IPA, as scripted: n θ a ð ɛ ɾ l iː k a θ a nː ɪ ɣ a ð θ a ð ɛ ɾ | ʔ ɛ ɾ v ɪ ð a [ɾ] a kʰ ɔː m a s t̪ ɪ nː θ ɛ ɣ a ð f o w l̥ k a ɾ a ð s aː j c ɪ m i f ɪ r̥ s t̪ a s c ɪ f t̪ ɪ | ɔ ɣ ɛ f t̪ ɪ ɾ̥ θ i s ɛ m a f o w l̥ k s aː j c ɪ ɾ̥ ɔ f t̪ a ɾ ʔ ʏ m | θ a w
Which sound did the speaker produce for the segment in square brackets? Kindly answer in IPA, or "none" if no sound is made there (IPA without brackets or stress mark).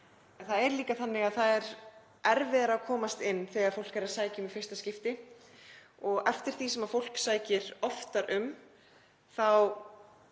ɾ